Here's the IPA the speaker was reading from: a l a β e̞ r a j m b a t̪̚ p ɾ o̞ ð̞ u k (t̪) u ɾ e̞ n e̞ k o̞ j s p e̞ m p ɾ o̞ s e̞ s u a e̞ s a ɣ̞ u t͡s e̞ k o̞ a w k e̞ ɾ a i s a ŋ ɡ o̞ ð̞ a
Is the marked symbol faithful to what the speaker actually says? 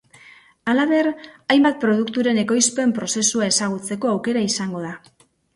yes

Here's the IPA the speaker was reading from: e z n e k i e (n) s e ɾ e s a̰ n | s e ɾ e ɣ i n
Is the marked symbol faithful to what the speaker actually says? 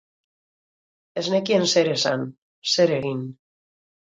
yes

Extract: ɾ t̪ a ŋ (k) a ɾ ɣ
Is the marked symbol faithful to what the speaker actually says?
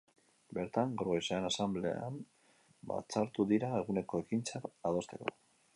no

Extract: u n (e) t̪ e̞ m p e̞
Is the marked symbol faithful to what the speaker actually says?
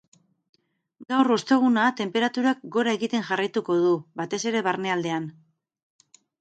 no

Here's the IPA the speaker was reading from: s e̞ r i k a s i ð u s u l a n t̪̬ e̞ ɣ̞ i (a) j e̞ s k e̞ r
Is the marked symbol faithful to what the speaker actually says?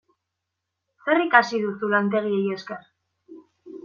no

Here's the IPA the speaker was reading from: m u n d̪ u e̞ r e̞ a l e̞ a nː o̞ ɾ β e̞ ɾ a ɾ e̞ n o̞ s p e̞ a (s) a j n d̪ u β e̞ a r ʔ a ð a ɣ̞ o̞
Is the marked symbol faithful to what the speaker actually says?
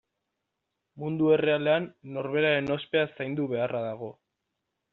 yes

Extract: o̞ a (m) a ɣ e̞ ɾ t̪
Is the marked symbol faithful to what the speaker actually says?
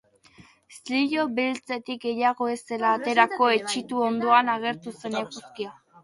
no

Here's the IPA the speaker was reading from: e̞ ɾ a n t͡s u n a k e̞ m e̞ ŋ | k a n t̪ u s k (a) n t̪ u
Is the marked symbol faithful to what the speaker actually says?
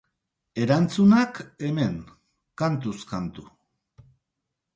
yes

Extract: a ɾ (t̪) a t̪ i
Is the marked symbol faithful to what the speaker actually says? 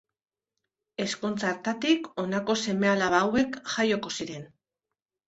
yes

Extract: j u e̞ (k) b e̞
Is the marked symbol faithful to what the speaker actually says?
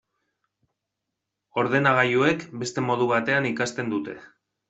yes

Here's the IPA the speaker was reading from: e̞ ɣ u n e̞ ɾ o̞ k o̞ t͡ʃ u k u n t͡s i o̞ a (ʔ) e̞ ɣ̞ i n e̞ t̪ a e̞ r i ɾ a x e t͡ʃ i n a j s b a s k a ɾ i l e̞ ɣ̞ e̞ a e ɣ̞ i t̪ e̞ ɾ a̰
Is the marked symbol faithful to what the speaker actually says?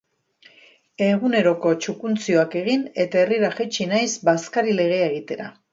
no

